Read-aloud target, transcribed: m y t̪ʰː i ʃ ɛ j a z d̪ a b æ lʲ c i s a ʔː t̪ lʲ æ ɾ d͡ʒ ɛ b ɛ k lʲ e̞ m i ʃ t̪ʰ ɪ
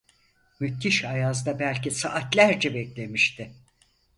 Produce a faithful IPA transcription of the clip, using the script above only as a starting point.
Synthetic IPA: m y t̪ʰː i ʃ a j a z d̪ a b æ lʲ c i s a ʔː t̪ lʲ æ ɾ d͡ʒ ɛ b ɛ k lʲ e̞ m i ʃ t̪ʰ ɪ